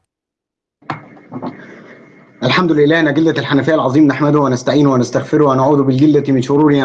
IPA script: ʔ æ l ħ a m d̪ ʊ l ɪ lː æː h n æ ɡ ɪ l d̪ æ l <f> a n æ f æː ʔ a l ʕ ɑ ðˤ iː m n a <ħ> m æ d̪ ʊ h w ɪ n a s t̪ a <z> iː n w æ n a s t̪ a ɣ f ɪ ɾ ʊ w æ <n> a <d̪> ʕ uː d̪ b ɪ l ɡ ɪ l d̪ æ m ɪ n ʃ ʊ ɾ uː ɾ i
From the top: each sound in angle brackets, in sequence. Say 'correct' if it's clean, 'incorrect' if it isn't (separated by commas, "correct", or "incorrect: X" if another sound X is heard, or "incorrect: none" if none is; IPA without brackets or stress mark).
incorrect: ħ, correct, incorrect: ʕ, correct, incorrect: none